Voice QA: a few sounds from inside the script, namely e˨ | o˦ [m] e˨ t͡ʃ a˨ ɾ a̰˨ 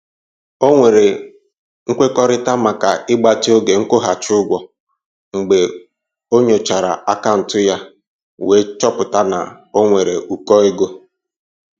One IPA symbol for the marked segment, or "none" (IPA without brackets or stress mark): ɲ